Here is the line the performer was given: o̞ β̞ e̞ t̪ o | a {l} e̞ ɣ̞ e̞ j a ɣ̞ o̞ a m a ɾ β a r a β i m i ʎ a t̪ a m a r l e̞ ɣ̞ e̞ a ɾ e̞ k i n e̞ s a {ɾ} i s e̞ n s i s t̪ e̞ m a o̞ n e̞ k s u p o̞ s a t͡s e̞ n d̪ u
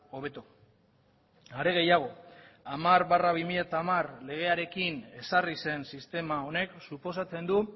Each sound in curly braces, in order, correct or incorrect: incorrect: ɾ, incorrect: r

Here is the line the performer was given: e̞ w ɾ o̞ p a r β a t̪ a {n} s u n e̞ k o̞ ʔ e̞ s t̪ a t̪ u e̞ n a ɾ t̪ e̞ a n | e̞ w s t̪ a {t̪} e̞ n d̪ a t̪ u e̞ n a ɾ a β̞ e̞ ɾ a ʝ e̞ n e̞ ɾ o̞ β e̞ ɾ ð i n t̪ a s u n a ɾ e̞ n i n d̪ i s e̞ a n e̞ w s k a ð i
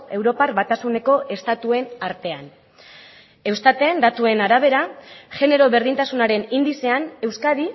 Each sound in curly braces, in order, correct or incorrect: incorrect: none, correct

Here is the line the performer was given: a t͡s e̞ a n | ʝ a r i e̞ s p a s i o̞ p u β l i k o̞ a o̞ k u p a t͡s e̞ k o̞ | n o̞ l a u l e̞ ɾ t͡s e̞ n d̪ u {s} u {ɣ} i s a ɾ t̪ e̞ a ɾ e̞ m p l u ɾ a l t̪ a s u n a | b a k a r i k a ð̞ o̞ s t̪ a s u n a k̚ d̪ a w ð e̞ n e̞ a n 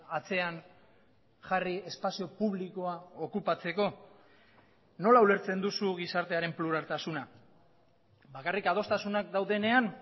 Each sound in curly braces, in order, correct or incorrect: correct, correct

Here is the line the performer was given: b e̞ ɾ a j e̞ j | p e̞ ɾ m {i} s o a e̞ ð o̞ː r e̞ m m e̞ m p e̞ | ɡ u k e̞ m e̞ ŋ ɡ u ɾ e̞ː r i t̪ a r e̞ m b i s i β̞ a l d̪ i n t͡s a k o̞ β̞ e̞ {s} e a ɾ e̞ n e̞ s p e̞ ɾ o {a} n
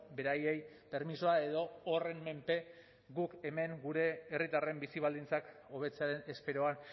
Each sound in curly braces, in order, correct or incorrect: correct, incorrect: t͡s, correct

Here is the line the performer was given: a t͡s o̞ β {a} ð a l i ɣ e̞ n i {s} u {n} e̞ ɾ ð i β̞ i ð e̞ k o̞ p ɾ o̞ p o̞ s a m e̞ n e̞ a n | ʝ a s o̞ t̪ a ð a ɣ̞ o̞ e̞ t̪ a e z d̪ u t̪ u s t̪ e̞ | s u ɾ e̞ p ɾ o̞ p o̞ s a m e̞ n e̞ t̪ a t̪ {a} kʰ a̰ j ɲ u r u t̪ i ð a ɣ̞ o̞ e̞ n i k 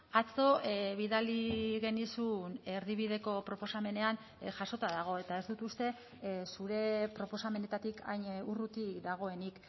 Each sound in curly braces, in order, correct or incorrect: incorrect: i, correct, correct, incorrect: i

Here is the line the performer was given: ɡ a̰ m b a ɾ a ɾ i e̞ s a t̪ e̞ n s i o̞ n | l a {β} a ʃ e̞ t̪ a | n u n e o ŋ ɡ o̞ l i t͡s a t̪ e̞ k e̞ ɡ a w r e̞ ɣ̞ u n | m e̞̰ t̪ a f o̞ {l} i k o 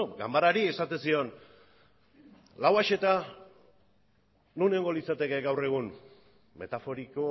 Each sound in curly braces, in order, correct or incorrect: incorrect: w, incorrect: ɾ

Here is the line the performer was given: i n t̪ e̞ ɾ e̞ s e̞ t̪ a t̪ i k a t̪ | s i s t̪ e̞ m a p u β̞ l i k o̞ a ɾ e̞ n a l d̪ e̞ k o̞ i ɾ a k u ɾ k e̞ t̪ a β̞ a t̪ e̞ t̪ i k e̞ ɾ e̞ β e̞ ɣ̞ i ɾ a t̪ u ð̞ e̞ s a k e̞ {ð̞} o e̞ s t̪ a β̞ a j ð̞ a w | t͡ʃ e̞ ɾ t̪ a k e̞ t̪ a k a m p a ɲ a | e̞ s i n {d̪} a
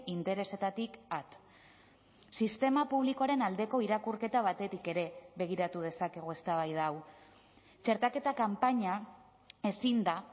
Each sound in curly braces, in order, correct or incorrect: incorrect: ɣ̞, correct

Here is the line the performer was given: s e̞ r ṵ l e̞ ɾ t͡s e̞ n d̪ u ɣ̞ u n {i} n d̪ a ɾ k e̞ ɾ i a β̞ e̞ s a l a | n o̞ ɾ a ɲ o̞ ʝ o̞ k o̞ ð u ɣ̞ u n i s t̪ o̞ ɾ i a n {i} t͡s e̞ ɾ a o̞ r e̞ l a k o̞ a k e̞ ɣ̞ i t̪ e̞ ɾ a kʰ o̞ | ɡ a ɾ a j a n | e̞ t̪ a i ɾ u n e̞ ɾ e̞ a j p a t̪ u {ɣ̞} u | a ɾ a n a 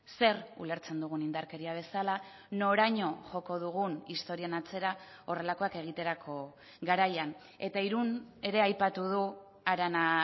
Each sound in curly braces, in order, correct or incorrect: correct, incorrect: a, incorrect: ð̞

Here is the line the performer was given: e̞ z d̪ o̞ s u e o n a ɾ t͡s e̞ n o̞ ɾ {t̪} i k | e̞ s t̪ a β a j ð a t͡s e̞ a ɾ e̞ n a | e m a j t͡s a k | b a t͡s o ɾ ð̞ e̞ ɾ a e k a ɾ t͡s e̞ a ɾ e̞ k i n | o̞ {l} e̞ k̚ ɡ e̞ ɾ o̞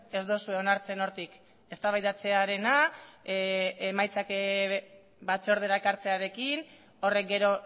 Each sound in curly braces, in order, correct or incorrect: correct, incorrect: r

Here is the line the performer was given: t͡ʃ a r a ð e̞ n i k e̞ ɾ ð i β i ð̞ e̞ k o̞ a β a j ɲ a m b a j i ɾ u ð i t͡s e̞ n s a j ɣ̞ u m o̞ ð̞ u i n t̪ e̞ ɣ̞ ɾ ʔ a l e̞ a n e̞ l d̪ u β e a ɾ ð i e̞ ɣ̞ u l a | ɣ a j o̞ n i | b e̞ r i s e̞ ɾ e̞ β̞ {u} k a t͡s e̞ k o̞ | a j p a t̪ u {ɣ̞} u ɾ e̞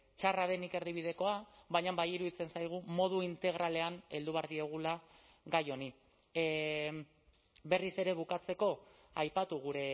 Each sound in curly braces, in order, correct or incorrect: correct, correct

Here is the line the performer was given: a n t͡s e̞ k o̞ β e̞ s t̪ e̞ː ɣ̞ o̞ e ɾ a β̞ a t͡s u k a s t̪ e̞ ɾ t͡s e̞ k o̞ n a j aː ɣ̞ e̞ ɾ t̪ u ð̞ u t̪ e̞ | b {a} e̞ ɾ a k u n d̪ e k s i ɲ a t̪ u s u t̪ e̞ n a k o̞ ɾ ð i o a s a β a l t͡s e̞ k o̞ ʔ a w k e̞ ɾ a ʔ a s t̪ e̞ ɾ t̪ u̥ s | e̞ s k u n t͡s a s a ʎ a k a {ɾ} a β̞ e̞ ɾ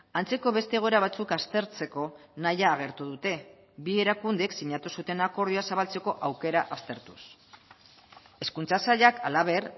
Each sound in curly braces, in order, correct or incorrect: incorrect: i, incorrect: l

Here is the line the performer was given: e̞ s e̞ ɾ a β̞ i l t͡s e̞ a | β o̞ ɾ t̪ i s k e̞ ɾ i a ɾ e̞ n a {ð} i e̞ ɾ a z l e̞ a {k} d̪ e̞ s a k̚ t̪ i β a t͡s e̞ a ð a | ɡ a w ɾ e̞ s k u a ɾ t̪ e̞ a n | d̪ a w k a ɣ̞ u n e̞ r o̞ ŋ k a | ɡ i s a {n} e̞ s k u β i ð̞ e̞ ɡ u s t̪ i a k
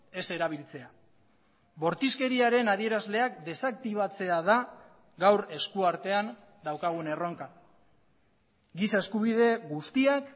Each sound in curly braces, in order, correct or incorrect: correct, correct, incorrect: none

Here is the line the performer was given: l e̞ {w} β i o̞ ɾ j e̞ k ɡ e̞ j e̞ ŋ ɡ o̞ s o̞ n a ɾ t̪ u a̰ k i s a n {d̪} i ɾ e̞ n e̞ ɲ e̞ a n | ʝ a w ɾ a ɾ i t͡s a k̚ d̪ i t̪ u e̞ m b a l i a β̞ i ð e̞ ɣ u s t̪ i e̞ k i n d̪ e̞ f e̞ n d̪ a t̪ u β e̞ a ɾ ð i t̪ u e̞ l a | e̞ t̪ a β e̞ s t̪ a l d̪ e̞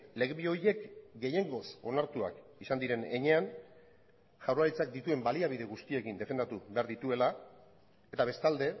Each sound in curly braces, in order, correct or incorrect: incorrect: ɣ, correct

